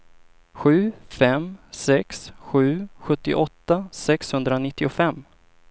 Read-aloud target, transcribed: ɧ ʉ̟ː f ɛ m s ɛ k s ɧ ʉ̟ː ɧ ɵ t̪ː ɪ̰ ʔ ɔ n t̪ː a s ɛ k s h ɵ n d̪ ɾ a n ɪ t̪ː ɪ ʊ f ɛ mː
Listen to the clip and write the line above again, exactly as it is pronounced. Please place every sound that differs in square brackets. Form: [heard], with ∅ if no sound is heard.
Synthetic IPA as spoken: ɧ ʉ̟ː f ɛ m s ɛ k s ɧ ʉ̟ː ɧ ɵ t̪ː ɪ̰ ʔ ɔ [∅] t̪ː a s ɛ k s h ɵ n d̪ ɾ a n ɪ t̪ː ɪ ʊ f ɛ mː